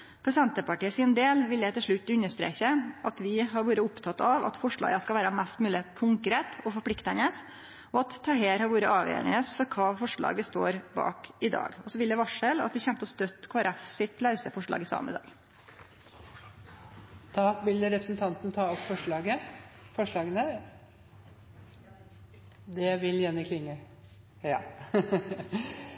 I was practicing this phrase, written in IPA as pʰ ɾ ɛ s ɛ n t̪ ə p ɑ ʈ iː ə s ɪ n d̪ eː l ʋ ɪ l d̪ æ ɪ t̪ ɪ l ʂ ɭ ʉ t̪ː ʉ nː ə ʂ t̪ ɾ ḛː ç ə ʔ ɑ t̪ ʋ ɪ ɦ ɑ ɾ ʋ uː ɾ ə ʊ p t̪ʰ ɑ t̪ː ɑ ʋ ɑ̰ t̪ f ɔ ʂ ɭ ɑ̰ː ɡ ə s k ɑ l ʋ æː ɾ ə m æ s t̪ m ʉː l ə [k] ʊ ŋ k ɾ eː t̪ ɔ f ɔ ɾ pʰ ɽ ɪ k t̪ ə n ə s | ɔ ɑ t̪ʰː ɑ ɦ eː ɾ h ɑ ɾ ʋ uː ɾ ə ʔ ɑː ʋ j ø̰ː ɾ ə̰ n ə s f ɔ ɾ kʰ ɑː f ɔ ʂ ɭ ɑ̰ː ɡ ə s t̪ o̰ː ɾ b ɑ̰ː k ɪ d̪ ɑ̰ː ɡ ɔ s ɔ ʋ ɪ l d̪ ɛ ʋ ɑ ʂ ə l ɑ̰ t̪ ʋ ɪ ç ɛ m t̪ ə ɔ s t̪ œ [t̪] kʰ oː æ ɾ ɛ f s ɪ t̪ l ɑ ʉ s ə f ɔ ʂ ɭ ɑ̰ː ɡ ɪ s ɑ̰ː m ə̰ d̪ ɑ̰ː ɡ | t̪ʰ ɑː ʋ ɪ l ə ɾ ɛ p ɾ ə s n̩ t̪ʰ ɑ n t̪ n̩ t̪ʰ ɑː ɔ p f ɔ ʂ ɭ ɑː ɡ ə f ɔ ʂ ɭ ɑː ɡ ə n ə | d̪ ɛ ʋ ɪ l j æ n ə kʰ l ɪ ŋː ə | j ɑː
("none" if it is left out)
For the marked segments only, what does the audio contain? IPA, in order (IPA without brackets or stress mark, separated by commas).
kʰ, t̪